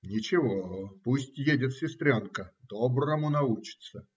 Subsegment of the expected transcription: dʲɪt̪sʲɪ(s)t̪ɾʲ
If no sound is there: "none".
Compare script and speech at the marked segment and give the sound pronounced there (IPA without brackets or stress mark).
s